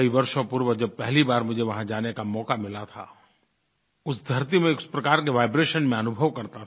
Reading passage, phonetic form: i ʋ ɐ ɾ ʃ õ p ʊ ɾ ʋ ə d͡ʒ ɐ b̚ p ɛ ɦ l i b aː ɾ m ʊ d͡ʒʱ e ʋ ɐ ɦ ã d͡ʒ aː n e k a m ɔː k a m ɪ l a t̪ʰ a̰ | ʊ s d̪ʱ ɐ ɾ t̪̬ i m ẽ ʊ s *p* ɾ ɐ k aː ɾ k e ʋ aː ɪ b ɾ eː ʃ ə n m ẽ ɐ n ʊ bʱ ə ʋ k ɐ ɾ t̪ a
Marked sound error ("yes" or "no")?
no